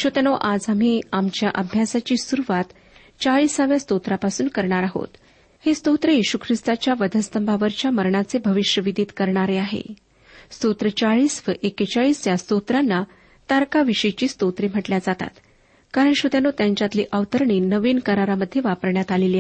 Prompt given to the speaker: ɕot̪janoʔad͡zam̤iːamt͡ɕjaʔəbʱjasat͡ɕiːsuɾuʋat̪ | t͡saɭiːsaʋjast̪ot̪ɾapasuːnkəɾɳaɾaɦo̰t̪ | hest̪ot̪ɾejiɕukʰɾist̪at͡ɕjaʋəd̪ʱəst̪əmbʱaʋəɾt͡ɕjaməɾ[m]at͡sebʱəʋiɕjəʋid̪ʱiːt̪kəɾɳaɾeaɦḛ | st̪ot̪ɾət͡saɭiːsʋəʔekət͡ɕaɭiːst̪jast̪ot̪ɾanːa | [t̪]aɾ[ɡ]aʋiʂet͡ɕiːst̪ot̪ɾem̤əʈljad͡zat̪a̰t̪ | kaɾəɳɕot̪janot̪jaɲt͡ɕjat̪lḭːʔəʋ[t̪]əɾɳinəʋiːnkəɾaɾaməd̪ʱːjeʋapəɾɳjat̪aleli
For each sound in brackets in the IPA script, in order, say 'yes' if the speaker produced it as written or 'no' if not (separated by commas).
no, yes, no, yes